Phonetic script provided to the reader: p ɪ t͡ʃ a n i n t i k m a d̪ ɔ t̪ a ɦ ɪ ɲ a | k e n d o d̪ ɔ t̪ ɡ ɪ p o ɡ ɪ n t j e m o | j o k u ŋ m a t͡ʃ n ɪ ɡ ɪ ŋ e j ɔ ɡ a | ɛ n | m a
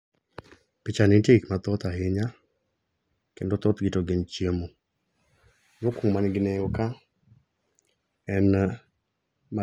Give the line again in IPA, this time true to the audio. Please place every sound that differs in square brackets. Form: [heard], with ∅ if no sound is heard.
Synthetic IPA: p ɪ t͡ʃ a n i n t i k m a [t̪] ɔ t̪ a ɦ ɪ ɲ a | k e n d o [t̪] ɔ t̪ ɡ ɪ [t] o ɡ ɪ n [t͡ʃ] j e m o | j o k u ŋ m a [∅] n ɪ ɡ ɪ [n] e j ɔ [k] a | ɛ n | m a